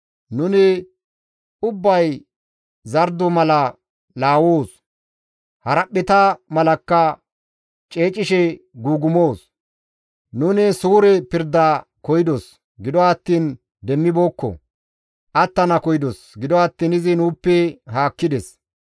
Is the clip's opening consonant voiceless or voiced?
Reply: voiced